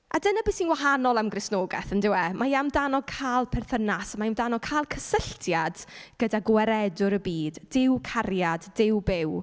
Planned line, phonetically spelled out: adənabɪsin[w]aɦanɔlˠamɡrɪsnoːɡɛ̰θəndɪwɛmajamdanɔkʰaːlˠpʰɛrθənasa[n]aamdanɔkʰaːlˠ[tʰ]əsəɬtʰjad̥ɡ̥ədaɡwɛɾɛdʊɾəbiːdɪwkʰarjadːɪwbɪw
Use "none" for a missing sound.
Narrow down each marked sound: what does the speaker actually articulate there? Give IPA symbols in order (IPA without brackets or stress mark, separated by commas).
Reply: w, m, kʰ